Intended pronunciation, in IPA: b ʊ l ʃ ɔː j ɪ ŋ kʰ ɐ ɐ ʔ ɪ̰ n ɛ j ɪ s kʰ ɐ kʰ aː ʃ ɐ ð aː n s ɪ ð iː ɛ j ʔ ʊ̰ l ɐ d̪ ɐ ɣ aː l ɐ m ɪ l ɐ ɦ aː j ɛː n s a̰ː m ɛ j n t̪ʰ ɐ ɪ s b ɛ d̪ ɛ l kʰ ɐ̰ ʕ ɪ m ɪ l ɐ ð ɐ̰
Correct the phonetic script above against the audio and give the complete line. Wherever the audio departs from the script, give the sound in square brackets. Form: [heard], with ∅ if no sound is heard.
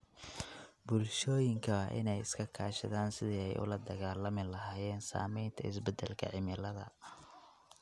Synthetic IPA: b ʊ l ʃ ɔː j ɪ ŋ kʰ ɐ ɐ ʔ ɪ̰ n ɛ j ɪ s kʰ ɐ kʰ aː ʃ ɐ ð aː n s ɪ ð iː ɛ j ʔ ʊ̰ l ɐ d̪ ɐ ɣ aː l ɐ m ɪ l ɐ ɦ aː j ɛː n s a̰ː m ɛ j n t̪ʰ ɐ ɪ s b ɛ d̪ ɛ l kʰ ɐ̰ ʕ ɪ m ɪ l ɐ ð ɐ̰